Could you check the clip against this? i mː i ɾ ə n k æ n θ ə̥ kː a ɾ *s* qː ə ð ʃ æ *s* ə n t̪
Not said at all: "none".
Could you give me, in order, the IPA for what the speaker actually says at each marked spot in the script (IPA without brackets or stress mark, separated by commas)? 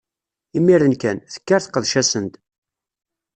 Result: θ, s